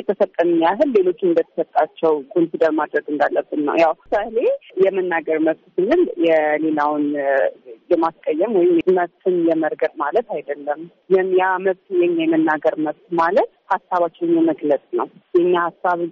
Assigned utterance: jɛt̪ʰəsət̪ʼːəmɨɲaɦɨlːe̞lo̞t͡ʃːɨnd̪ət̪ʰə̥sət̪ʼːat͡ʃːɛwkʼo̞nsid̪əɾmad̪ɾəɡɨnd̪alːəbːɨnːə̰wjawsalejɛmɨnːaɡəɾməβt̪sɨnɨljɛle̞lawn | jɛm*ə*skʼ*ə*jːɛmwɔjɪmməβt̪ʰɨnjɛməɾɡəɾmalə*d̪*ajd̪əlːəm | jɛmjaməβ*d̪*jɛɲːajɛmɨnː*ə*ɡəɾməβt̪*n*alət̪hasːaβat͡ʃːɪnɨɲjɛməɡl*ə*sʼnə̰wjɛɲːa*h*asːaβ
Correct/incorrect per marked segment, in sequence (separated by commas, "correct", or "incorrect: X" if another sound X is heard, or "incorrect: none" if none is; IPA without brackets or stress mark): incorrect: a, correct, incorrect: t̪, incorrect: t̪, incorrect: a, incorrect: m, correct, correct